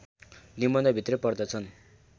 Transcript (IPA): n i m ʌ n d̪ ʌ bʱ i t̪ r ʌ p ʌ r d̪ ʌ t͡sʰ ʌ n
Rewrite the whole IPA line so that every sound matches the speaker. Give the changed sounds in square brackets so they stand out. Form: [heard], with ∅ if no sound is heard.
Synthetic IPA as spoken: n i m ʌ n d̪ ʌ bʱ i t̪ r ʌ p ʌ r d̪ ʌ t͡sʰ ʌ n

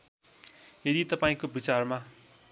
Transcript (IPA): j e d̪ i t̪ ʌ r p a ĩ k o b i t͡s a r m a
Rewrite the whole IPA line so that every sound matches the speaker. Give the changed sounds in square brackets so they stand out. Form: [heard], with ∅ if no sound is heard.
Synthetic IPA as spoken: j e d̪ i t̪ ʌ [∅] p a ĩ k o b i t͡s a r m a

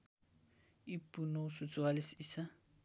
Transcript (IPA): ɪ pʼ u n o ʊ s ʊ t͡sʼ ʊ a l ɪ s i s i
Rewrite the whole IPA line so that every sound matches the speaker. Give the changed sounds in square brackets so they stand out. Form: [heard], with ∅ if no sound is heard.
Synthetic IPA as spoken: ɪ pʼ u n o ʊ s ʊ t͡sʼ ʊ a l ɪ s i s [a]

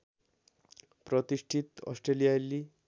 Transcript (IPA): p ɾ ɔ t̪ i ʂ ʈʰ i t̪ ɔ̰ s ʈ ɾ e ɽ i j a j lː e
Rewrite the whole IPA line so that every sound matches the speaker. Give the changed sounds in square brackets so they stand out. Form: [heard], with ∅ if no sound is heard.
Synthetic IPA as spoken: p ɾ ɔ t̪ i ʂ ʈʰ i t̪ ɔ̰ s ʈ ɾ e [l] i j a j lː [i]

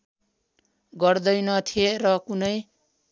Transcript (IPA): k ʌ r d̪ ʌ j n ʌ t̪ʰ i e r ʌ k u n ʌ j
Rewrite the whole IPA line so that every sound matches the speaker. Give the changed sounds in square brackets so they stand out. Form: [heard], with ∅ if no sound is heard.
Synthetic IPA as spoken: [ɡ] ʌ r d̪ ʌ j n ʌ t̪ʰ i e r ʌ k u n ʌ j

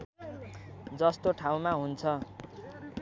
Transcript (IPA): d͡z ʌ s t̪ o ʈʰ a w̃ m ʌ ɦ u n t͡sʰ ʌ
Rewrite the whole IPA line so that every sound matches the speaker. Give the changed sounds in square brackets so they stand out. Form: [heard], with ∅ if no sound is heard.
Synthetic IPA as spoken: d͡z ʌ s t̪ o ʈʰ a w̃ m [a] ɦ u n t͡sʰ ʌ

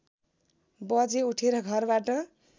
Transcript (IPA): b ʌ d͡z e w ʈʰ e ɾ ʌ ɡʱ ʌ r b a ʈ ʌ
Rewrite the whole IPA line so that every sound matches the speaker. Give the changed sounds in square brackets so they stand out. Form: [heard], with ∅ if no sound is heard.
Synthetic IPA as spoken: b ʌ d͡z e [u] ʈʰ e ɾ ʌ ɡʱ ʌ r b a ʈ ʌ

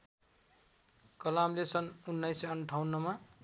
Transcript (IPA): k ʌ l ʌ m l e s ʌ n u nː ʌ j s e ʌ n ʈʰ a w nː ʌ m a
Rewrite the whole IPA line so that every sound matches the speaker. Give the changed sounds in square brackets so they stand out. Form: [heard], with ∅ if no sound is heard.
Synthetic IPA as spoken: k ʌ l [a] m l e s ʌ n u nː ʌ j s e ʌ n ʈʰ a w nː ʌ m a

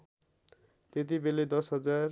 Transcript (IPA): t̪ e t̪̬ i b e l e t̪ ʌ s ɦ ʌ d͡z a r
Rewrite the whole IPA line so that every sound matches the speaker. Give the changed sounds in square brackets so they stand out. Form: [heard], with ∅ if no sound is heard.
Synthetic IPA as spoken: t̪ e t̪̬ i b e l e [d̪] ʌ s ɦ ʌ d͡z a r

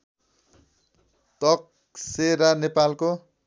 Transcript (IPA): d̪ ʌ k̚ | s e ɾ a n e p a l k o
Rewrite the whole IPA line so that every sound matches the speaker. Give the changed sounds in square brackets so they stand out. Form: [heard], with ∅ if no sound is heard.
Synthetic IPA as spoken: [t̪] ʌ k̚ | s e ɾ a n e p a l k o

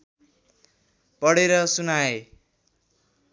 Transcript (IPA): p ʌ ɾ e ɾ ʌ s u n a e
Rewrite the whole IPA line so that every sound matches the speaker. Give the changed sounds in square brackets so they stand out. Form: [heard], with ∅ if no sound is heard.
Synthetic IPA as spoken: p ʌ [ɽ] e ɾ ʌ s u n a e

